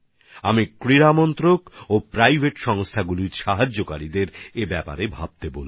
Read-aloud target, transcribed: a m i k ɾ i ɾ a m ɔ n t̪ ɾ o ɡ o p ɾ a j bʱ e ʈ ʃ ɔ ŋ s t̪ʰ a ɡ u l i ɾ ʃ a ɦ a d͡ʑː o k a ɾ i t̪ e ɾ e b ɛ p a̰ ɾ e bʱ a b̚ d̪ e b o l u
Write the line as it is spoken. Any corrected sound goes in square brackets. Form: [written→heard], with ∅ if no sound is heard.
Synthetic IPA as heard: a m i k ɾ i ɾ a m ɔ n t̪ ɾ o [ɡ→k] o p ɾ a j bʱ e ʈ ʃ ɔ ŋ s t̪ʰ a ɡ u l i ɾ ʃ a ɦ a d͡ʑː o k a ɾ i [t̪→d̪] e ɾ e b ɛ p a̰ ɾ e bʱ a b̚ [d̪→t̪] e b o l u